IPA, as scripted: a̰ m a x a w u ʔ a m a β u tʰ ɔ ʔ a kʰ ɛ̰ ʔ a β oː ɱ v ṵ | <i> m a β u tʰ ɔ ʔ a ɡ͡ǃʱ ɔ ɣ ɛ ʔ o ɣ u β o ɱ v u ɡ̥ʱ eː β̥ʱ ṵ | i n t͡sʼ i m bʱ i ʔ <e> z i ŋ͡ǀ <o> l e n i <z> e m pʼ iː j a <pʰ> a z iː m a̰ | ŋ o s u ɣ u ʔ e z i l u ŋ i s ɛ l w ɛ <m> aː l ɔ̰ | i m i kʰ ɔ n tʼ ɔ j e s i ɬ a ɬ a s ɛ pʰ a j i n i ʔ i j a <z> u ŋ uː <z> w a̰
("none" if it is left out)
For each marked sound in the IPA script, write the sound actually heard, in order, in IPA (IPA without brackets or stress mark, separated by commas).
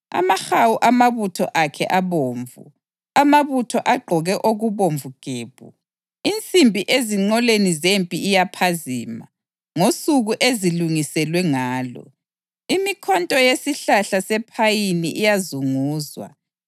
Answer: a, e, ɔ, z, pʰ, ŋ, z, z